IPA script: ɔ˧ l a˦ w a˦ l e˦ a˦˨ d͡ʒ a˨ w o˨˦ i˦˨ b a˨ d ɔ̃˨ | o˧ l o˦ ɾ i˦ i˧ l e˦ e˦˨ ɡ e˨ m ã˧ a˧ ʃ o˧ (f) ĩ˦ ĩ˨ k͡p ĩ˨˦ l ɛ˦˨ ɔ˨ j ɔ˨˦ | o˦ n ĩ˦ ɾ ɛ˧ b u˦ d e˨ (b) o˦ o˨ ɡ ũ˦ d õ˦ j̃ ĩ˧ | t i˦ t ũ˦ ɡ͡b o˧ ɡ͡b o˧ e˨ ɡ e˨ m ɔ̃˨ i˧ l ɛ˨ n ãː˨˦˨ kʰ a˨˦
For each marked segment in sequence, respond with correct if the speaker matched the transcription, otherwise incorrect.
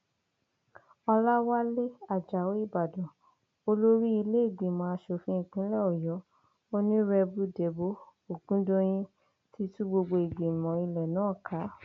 correct, correct

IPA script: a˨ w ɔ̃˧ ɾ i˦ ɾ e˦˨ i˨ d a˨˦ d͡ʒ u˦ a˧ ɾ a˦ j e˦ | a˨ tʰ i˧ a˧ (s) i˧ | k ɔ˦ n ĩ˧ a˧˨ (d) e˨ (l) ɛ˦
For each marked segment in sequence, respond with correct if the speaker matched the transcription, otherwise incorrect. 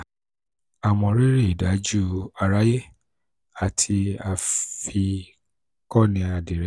incorrect: f, correct, incorrect: ɾ

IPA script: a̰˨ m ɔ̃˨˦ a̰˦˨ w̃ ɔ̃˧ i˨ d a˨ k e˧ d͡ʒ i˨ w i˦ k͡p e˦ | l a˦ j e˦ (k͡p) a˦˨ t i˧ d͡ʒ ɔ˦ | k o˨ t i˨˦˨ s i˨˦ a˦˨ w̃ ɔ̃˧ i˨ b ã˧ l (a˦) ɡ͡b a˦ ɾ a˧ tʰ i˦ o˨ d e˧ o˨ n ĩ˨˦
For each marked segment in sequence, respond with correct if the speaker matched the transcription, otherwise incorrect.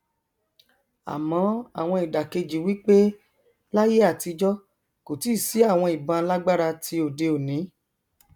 incorrect: none, correct

